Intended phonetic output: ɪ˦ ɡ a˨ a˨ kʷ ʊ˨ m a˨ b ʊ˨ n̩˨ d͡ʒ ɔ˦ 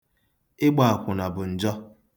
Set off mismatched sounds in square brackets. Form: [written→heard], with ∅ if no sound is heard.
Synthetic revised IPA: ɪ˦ [ɡ→ɡ͡b] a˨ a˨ kʷ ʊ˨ [m→n] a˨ b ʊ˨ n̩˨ d͡ʒ ɔ˦